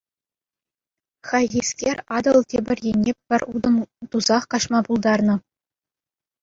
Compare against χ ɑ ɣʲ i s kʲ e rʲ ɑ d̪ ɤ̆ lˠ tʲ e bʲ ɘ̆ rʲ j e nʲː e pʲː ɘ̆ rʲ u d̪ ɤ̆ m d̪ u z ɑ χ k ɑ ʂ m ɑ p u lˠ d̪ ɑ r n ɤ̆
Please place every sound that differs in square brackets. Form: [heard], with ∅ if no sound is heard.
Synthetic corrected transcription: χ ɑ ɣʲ i s kʲ e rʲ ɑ d̪ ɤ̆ lˠ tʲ e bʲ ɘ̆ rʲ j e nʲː e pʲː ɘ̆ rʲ u d̪ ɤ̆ m [t̪] u z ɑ χ k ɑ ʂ m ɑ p u lˠ d̪ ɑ r n ɤ̆

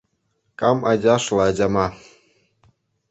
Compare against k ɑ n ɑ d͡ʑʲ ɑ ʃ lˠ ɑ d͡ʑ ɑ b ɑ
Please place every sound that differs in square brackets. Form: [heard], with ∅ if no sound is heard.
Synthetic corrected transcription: k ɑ [m] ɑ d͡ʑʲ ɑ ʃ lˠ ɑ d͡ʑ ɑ [m] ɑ

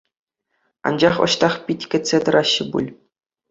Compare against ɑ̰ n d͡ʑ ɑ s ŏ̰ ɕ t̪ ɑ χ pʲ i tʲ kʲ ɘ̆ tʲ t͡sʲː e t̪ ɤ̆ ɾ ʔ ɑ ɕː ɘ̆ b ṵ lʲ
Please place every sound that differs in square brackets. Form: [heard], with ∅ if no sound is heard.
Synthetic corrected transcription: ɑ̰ n d͡ʑ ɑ [χ] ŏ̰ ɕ t̪ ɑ χ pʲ i tʲ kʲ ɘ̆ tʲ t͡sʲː e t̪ ɤ̆ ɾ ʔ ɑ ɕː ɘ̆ b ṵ lʲ

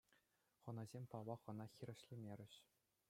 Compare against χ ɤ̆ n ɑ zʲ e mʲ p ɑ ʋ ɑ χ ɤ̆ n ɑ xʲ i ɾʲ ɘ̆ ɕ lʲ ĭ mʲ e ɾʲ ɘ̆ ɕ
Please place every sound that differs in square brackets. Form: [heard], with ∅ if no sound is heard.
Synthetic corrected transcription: χ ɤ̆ n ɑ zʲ e mʲ p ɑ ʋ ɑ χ ɤ̆ n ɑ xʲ i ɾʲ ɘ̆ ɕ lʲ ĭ mʲ e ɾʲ ɘ̆ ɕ

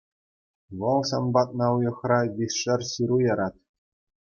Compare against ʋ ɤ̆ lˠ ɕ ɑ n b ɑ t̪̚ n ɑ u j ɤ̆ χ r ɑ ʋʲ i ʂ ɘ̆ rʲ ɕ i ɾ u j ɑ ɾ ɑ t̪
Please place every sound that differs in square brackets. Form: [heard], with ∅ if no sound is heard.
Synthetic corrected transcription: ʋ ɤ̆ lˠ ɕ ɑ n b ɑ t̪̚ n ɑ u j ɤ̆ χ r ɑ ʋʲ i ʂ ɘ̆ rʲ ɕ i ɾ u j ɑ ɾ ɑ t̪

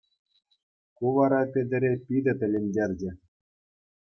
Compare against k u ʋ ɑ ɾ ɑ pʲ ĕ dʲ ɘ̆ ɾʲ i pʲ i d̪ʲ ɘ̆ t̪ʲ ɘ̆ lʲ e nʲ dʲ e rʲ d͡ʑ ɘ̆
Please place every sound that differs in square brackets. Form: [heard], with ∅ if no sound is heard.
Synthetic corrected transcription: k u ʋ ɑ ɾ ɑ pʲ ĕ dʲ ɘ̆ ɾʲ [e] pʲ i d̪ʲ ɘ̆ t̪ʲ ɘ̆ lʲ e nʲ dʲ e rʲ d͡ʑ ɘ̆

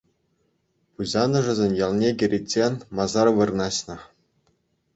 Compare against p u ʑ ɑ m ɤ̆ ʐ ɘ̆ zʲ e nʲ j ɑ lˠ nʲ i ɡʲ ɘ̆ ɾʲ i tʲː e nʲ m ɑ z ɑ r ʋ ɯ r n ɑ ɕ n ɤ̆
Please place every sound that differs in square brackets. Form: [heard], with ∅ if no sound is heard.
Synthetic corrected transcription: p u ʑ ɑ [n] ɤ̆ ʐ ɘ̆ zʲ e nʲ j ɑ lˠ nʲ [e] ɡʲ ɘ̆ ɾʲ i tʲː e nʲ m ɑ z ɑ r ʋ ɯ r n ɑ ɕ n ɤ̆

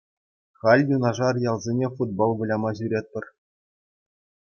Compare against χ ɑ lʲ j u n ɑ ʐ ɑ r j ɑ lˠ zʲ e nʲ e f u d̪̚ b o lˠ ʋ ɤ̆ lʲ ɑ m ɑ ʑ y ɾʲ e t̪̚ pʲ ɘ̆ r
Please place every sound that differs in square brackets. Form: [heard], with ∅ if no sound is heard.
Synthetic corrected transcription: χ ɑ lʲ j u n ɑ ʐ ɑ r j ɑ lˠ zʲ e nʲ e f u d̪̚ b o lˠ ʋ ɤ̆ lʲ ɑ m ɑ ʑ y ɾʲ e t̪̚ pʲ ɘ̆ r

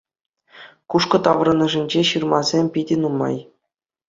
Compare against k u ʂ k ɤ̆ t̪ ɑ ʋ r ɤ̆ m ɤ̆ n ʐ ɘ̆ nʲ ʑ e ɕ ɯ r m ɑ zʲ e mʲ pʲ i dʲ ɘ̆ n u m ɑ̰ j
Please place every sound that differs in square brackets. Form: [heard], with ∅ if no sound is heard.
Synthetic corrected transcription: k u ʂ k ɤ̆ t̪ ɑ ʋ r ɤ̆ [n] ɤ̆ [∅] ʐ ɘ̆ nʲ [d͡ʑ] e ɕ ɯ r m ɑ zʲ e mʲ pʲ i dʲ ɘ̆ n u m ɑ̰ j

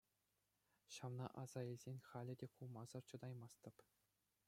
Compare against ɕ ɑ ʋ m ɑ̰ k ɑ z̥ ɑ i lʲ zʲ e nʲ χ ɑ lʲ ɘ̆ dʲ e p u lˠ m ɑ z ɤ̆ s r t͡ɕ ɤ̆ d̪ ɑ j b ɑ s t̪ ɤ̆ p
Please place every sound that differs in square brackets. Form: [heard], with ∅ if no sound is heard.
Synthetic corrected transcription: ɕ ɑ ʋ [n] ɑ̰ [ʔ] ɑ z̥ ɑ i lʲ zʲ e nʲ χ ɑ lʲ ɘ̆ dʲ e [k] u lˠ m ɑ z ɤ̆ [∅] r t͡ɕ ɤ̆ d̪ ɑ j [m] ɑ s t̪ ɤ̆ p

